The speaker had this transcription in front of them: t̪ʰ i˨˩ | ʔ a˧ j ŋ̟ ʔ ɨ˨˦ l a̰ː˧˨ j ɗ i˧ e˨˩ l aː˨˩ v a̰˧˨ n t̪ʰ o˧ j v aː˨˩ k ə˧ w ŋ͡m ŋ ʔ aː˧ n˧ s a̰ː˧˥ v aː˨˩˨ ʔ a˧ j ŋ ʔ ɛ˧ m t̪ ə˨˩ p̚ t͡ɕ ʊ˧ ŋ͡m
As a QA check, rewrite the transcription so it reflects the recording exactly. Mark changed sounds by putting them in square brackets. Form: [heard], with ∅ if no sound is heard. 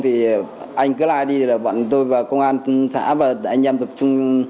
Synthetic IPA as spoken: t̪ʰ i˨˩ | ʔ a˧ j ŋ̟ [k] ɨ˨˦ l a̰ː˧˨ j ɗ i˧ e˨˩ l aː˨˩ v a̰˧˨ n [t̪] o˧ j v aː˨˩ k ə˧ w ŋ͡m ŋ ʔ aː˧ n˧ s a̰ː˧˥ v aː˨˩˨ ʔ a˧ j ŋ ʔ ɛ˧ m t̪ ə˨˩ p̚ t͡ɕ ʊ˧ ŋ͡m

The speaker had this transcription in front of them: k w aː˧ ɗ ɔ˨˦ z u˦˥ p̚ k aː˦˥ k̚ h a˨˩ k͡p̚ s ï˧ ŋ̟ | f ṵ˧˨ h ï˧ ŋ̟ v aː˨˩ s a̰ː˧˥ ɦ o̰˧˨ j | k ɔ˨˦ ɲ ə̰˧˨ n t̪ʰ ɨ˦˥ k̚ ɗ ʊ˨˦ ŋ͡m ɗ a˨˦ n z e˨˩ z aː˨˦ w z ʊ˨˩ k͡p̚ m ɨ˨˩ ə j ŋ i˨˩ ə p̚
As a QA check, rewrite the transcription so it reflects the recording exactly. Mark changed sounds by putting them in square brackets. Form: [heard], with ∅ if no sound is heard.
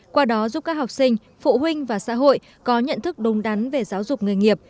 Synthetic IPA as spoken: k w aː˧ ɗ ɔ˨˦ z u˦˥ p̚ k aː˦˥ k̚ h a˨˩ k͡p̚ s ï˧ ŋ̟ | f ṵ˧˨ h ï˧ ŋ̟ v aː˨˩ s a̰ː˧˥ ɦ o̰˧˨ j | k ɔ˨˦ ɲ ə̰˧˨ n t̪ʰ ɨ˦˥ k̚ ɗ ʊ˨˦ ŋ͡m ɗ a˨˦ n [v] e˨˩ z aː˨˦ w z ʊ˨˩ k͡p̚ [ŋ] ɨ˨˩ ə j ŋ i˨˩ ə p̚

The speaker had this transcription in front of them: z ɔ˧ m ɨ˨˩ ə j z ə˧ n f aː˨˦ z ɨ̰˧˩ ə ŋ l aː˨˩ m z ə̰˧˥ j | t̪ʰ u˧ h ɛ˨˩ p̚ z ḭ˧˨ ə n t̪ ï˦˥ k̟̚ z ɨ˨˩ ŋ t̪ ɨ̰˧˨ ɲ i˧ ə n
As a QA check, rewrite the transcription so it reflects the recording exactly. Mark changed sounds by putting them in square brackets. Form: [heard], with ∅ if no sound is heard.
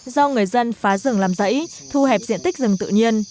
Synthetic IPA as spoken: z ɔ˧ [ŋ] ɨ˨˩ ə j z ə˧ n f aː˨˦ z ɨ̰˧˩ ə ŋ l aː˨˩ m z ə̰˧˥ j | t̪ʰ u˧ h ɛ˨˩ p̚ z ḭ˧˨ ə n t̪ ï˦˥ k̟̚ z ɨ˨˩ ŋ t̪ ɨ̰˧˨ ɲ i˧ ə n

